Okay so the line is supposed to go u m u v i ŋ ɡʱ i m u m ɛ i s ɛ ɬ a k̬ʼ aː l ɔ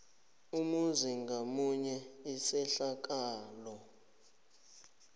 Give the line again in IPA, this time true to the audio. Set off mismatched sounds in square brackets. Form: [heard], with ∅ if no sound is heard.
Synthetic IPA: u m u [z] i ŋ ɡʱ [a] m u [ɲ] ɛ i s ɛ ɬ a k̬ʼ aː l ɔ